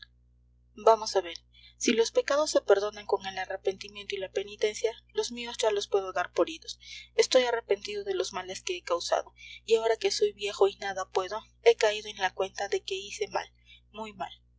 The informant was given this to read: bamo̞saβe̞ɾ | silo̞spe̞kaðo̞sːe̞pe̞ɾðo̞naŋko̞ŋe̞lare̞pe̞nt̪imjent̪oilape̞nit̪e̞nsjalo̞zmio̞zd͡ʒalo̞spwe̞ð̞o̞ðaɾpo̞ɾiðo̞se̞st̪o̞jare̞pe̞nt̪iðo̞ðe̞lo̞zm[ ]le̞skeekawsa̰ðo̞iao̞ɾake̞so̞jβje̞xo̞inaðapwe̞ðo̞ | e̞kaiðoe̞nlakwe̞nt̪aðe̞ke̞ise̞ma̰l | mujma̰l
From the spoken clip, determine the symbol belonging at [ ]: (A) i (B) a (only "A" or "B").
B